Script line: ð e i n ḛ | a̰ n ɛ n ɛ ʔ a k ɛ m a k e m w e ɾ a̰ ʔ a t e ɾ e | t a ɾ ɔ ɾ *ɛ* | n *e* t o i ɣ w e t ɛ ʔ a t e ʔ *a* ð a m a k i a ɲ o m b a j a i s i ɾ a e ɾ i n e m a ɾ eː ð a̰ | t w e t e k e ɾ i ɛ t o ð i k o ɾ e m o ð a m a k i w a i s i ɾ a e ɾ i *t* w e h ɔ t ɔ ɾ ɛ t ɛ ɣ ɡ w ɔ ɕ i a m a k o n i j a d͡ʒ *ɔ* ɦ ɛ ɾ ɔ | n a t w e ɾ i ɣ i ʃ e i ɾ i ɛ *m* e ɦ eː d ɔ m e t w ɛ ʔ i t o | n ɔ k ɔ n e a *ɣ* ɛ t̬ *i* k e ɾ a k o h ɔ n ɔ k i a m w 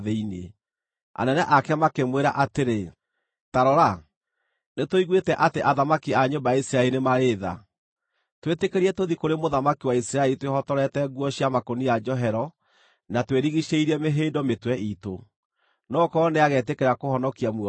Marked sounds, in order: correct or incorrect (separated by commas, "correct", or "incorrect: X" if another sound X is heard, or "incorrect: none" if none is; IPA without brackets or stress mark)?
incorrect: a, correct, correct, correct, correct, correct, correct, incorrect: e